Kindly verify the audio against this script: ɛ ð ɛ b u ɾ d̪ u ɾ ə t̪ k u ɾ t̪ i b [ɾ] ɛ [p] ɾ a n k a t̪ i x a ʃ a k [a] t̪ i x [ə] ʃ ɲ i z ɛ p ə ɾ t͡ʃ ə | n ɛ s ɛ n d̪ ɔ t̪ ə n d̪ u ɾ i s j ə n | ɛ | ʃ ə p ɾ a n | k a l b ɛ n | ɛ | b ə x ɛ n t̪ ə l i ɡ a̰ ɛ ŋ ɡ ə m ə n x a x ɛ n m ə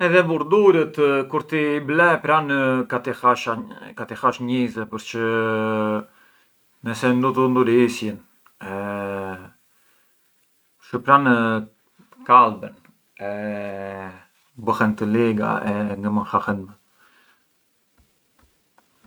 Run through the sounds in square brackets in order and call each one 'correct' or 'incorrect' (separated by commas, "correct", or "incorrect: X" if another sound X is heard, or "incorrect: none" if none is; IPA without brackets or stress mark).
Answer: incorrect: l, correct, correct, incorrect: a